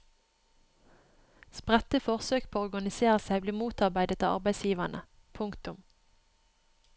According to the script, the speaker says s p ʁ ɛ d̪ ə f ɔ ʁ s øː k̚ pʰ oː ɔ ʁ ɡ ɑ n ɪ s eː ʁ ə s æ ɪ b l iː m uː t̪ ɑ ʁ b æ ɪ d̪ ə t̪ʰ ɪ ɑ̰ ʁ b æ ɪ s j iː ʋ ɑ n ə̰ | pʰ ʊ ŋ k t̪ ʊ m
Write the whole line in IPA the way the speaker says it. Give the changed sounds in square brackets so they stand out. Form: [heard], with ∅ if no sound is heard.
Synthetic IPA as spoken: s p ʁ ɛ [t̪] ə f ɔ ʁ s øː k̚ pʰ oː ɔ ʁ ɡ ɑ n ɪ s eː ʁ ə s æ ɪ b l iː m uː t̪ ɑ ʁ b æ ɪ d̪ ə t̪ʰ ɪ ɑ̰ ʁ b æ ɪ s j iː ʋ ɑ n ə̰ | pʰ ʊ ŋ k t̪ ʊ m

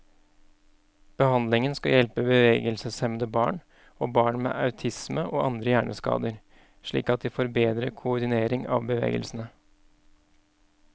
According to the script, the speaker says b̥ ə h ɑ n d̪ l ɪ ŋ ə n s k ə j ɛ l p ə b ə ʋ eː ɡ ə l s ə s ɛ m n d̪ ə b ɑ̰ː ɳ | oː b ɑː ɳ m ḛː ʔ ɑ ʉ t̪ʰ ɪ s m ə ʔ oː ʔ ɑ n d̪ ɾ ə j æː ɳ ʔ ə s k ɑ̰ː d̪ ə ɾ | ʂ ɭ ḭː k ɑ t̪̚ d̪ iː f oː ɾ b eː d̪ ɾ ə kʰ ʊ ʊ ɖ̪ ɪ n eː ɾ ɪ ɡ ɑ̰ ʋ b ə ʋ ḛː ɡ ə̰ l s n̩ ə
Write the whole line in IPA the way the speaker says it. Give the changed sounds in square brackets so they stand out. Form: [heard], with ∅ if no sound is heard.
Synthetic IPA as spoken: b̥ ə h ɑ n d̪ l ɪ ŋ ə n s k [ɑ] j ɛ l p ə b ə ʋ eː ɡ ə l s ə s ɛ m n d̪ ə b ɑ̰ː ɳ | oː b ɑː ɳ m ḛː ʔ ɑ ʉ t̪ʰ ɪ s m ə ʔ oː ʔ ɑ n d̪ ɾ ə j æː ɳ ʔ ə s k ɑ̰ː d̪ ə ɾ | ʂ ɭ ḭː k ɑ t̪̚ d̪ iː f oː ɾ b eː d̪ ɾ ə kʰ ʊ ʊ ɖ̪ ɪ n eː ɾ ɪ [ŋ] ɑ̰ ʋ b ə ʋ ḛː ɡ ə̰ l s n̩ ə

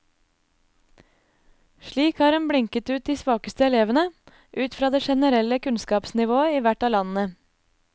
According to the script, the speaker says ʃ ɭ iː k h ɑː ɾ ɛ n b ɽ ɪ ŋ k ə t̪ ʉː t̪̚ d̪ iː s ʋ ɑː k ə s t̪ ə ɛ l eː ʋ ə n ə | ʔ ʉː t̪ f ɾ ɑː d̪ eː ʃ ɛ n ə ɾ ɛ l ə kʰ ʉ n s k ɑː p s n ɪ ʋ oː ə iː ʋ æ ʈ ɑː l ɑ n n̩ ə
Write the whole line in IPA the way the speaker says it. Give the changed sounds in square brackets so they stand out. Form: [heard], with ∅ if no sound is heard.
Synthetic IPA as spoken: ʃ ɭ iː k h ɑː ɾ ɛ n b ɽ ɪ ŋ k ə t̪ ʉː t̪̚ d̪ iː s ʋ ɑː k ə s t̪ ə ɛ l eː ʋ ə n ə | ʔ ʉː t̪ f ɾ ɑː d̪ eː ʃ ɛ n ə ɾ ɛ l ə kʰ ʉ n s k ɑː p s n ɪ ʋ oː ə iː ʋ æ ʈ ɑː l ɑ n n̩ ə

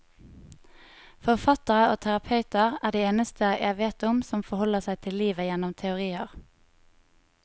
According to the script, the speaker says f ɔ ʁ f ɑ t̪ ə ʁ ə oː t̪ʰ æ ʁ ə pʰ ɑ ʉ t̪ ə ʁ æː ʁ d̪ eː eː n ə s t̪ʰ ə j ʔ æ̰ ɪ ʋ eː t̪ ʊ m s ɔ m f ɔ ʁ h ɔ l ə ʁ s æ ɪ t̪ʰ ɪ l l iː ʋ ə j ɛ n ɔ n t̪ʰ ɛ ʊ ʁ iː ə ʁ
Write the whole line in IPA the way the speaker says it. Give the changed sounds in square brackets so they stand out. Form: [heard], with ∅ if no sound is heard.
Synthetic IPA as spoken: f ɔ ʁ f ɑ t̪ ə ʁ ə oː t̪ʰ æ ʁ [ɑ] pʰ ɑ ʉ t̪ ə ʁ æː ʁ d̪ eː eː n ə s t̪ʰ ə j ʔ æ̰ ɪ ʋ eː t̪ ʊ m s ɔ m f ɔ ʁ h ɔ l ə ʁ s æ ɪ t̪ʰ ɪ l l iː ʋ ə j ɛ n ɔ [m] t̪ʰ ɛ ʊ ʁ iː ə ʁ

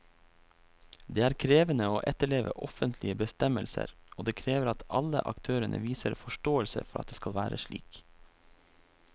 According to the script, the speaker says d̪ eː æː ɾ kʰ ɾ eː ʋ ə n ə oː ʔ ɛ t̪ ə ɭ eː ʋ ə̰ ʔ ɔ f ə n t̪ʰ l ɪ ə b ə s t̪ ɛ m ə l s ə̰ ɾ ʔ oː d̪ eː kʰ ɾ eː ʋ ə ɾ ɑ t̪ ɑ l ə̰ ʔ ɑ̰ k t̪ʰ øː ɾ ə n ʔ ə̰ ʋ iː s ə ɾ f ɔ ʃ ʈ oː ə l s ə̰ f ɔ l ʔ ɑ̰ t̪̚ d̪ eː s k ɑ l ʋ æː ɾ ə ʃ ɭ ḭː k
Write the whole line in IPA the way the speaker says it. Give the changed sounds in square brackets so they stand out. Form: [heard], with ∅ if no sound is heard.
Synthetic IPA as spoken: d̪ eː æː ɾ kʰ ɾ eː ʋ ə n ə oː ʔ ɛ t̪ ə ɭ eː ʋ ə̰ ʔ ɔ f ə n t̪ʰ l ɪ ə b ə s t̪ ɛ m ə l s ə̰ ɾ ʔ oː d̪ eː kʰ ɾ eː ʋ ə ɾ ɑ t̪ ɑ l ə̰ ʔ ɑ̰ k t̪ʰ øː ɾ ə n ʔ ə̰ ʋ iː s ə ɾ f ɔ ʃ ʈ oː ə l s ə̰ f ɔ [ɾ] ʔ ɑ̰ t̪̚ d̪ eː s k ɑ l ʋ æː ɾ ə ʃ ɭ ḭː k

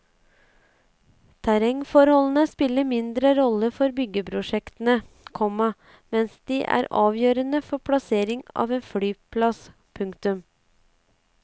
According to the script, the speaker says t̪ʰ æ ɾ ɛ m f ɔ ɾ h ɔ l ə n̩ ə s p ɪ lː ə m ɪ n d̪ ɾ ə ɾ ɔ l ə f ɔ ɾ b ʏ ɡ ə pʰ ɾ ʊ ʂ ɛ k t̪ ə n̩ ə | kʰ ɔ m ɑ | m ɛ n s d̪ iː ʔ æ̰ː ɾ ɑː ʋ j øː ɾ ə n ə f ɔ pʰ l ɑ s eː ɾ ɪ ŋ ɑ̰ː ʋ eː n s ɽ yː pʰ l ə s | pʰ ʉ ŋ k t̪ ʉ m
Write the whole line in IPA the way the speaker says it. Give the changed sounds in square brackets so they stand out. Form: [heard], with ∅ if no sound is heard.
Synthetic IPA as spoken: t̪ʰ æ ɾ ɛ [ŋ] f ɔ ɾ h ɔ l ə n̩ ə s p ɪ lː ə m ɪ n d̪ ɾ ə ɾ ɔ l ə f ɔ ɾ b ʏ ɡ ə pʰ ɾ ʊ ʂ ɛ k t̪ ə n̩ ə | kʰ ɔ m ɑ | m ɛ n s d̪ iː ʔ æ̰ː ɾ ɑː ʋ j øː ɾ ə n ə f ɔ pʰ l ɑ s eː ɾ ɪ ŋ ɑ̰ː ʋ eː n [f] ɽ yː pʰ l [ɑ] s | pʰ ʉ ŋ k t̪ ʉ m

